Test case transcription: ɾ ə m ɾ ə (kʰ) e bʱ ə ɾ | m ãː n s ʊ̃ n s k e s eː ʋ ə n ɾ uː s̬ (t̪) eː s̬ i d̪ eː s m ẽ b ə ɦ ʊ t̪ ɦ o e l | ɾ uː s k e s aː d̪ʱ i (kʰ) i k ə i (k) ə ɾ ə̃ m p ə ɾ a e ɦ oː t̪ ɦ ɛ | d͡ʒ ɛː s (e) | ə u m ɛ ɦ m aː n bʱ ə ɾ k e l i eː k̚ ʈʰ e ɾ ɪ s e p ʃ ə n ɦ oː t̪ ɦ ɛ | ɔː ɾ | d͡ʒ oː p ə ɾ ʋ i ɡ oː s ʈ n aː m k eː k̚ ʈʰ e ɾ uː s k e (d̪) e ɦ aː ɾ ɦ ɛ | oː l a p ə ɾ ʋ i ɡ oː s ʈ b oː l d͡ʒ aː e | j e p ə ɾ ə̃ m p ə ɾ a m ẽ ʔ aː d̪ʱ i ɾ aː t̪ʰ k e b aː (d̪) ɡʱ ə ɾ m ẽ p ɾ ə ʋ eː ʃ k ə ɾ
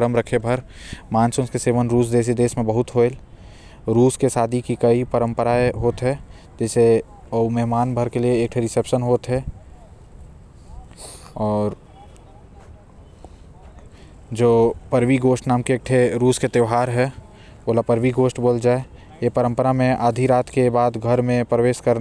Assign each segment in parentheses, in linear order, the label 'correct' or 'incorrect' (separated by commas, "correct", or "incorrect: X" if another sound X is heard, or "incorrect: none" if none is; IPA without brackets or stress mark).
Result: correct, incorrect: d̪, incorrect: k, incorrect: p, correct, incorrect: t̪, correct